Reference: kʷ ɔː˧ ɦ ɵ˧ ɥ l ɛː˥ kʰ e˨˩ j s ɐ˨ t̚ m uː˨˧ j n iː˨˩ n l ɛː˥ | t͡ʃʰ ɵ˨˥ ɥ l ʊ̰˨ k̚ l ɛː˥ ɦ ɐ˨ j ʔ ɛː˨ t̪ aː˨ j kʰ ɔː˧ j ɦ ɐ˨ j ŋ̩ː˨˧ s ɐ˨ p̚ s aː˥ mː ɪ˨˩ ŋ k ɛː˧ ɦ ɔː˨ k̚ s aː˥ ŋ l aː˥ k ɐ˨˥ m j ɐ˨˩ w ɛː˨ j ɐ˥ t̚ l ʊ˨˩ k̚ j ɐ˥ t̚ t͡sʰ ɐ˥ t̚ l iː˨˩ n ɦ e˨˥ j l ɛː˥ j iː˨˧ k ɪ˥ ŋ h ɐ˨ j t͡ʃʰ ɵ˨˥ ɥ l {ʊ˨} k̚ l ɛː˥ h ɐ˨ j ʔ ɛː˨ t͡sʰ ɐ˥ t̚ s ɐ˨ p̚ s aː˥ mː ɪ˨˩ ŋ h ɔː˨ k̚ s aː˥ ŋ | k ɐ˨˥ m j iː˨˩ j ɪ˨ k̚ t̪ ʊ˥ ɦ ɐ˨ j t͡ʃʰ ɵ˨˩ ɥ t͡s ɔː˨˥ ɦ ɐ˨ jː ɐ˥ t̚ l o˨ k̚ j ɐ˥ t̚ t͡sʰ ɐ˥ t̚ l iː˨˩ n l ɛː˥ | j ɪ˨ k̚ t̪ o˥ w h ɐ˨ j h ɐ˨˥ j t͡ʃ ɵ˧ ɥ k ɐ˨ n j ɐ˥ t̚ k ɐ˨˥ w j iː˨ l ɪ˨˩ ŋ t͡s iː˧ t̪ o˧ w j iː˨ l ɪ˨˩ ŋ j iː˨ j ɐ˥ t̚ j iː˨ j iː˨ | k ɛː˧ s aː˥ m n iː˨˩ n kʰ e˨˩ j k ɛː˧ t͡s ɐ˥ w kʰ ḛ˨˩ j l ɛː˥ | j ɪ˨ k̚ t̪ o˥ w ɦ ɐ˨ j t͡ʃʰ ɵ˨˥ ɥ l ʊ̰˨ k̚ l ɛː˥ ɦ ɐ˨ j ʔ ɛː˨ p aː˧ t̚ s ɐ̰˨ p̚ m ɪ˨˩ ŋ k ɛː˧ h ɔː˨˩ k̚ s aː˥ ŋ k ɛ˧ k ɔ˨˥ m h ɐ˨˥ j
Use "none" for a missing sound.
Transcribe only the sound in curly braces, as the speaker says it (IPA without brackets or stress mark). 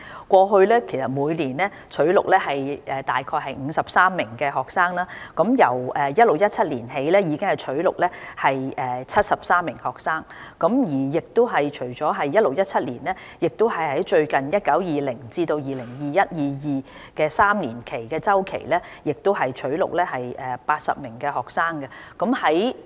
ʊ˨